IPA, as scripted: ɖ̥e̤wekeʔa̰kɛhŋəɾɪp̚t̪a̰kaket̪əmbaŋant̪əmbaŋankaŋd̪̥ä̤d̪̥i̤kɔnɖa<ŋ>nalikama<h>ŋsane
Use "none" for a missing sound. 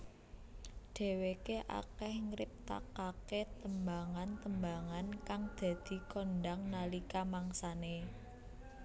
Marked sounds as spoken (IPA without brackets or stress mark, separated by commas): ŋ, none